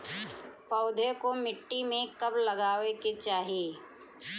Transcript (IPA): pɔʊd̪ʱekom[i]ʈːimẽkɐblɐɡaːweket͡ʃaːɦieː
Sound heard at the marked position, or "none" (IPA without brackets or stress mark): ɪ